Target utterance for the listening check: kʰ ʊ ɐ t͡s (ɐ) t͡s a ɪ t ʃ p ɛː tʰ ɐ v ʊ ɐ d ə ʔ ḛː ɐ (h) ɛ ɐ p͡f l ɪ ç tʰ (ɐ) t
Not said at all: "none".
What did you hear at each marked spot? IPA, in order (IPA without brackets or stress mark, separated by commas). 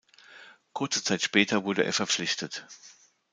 ə, f, ə